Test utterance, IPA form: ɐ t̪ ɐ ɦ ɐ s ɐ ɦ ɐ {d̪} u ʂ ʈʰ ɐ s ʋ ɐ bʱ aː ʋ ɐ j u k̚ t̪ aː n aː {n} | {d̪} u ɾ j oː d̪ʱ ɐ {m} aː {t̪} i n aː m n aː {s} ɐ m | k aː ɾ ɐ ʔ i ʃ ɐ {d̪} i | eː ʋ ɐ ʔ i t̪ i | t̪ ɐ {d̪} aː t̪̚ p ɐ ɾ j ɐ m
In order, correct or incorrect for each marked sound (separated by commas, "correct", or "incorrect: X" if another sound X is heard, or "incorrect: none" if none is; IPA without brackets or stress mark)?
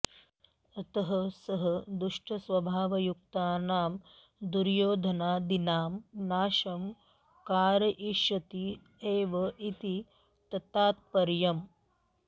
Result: correct, incorrect: m, correct, incorrect: n, incorrect: d̪, incorrect: ʃ, incorrect: t̪, incorrect: t̪